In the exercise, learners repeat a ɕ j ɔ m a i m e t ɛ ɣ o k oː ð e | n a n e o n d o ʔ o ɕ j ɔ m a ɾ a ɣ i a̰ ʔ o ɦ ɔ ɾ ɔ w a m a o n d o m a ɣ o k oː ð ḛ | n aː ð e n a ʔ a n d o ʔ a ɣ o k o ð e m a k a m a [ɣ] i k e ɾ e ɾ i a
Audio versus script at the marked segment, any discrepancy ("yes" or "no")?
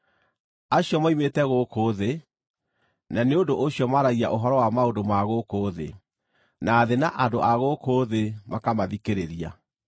yes